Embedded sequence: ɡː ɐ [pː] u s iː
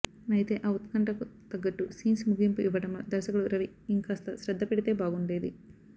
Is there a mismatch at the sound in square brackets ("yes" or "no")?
yes